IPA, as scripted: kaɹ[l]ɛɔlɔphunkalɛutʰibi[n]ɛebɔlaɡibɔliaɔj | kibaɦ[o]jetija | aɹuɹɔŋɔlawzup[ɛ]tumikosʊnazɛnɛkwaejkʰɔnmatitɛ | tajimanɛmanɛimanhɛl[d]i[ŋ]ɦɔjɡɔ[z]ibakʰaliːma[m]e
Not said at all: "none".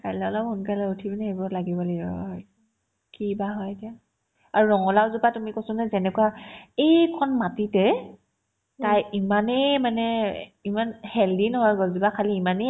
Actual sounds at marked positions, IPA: l, n, ɔ, a, d, n, z, n

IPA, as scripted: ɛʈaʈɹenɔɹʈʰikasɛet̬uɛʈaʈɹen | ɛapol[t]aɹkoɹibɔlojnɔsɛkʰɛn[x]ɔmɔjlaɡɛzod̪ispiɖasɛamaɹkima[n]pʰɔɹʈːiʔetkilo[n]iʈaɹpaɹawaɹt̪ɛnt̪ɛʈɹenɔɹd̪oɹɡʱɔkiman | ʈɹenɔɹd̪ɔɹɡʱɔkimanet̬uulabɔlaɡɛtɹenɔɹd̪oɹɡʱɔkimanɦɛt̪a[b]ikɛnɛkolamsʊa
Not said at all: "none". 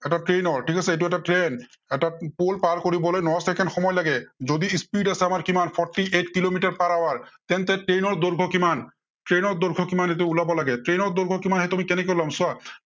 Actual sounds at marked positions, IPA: p, x, n, m, m

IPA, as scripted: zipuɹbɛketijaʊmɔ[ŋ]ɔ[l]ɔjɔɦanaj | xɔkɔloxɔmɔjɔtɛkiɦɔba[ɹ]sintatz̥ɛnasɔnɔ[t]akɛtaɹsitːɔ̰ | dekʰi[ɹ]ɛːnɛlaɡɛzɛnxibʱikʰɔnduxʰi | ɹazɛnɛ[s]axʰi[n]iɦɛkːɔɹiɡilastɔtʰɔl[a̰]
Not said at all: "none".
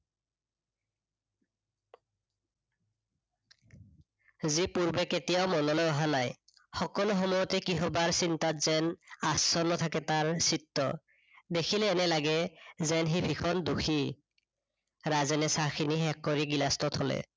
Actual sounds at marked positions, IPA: n, l, ɹ, tʰ, l, s, n, ɛ̰

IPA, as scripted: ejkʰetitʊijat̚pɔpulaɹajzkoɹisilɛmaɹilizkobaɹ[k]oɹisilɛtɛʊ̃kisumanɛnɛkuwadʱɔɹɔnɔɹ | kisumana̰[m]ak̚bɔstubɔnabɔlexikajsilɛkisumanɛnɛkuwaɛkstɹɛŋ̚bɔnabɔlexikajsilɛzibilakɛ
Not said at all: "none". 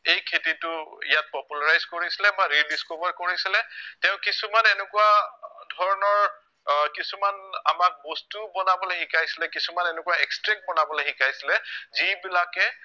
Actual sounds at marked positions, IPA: k, m

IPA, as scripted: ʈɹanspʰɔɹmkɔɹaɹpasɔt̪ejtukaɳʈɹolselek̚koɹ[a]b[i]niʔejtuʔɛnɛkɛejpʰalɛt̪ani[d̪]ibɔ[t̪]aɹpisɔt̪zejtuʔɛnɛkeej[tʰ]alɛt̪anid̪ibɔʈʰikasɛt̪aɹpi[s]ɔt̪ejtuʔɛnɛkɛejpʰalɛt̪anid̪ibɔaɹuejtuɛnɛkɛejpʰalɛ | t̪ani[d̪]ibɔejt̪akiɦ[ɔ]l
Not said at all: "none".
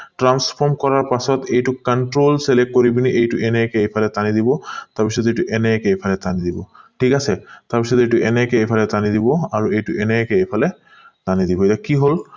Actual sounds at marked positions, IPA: i, i, d̪, t̪, pʰ, s, d̪, o

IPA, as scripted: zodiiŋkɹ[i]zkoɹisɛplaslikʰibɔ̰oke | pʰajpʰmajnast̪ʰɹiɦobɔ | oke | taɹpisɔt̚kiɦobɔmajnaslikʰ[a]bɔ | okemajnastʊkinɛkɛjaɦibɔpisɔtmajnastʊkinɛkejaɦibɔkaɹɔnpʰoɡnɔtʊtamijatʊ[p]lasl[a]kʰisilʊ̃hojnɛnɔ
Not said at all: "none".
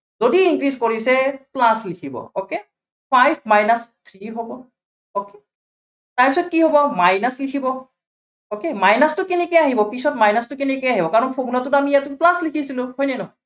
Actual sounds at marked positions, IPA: i, i, p, i

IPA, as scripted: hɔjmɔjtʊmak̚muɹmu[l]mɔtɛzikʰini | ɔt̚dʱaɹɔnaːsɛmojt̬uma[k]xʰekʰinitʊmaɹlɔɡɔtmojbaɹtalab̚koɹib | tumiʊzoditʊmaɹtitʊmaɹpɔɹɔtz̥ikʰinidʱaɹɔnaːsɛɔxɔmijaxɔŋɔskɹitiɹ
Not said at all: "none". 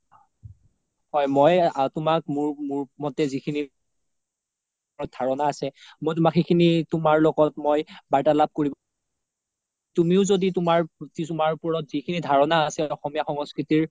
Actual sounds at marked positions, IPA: ɹ, k

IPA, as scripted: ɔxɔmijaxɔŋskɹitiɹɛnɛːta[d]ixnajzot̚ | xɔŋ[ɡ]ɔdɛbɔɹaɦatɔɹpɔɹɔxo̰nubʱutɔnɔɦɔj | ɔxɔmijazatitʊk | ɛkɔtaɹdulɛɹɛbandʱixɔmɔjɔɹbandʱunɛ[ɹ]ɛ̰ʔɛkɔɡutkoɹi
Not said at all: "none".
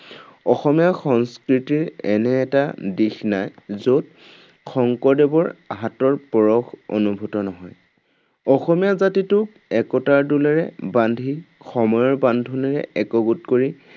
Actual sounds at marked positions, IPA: d, k, ɹ

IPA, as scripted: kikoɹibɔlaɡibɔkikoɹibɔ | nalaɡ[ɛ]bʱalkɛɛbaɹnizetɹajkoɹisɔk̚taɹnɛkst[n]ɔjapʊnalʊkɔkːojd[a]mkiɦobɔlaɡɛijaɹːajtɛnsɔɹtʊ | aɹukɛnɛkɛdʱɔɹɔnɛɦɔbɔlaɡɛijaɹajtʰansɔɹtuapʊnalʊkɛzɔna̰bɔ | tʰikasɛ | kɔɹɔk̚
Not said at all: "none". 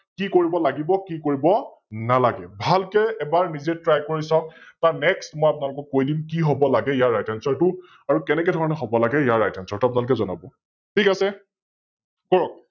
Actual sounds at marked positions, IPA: ɛ, m, i

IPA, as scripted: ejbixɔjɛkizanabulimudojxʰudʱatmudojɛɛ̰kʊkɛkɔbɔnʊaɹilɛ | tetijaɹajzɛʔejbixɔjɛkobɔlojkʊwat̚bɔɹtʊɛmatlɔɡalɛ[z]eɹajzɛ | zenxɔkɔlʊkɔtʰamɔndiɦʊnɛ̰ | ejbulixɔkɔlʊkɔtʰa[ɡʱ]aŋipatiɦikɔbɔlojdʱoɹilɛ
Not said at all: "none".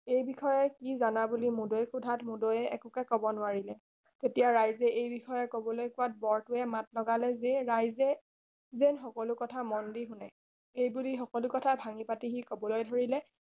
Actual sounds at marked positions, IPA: z, bʱ

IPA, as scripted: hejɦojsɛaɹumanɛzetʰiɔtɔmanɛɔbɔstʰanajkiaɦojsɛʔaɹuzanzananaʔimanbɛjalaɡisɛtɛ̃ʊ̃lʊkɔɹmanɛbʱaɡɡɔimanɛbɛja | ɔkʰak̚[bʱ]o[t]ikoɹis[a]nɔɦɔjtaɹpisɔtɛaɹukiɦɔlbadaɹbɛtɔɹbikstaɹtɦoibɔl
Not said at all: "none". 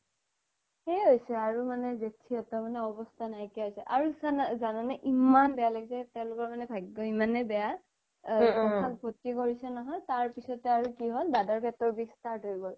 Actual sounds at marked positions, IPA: bʱ, t, ɛ

